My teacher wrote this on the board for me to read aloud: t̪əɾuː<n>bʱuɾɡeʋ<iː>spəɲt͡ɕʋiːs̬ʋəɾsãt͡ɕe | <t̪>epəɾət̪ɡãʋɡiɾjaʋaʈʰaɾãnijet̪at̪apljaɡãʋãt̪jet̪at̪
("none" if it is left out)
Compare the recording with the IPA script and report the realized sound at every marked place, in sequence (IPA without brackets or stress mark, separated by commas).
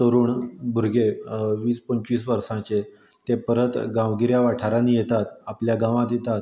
ɳ, iː, t̪